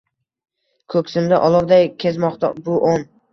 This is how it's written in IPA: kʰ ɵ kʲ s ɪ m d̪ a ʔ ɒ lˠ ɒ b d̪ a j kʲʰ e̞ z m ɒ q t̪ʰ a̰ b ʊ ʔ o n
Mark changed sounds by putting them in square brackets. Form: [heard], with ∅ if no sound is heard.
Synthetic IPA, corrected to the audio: kʰ ɵ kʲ s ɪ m d̪ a ʔ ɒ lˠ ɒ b d̪ a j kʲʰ e̞ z m ɒ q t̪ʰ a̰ b ʊ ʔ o n